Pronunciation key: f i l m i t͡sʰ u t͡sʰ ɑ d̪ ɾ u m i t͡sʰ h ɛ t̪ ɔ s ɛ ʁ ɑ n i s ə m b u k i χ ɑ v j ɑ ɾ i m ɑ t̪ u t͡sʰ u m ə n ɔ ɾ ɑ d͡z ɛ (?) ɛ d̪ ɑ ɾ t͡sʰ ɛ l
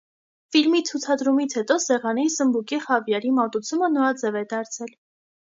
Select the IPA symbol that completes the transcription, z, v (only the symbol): v